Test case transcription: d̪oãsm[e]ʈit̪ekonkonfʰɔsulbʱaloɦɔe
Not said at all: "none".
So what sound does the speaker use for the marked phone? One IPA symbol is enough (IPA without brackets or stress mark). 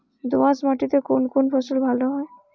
a